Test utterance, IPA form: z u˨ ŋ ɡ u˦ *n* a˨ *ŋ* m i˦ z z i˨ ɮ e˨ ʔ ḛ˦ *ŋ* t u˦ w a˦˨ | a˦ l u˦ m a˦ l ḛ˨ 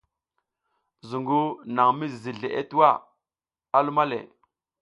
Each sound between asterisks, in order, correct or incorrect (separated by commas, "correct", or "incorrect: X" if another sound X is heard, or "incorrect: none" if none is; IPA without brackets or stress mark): correct, correct, incorrect: none